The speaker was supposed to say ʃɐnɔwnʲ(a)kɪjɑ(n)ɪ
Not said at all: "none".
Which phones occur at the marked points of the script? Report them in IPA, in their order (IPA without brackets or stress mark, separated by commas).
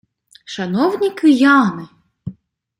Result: i, n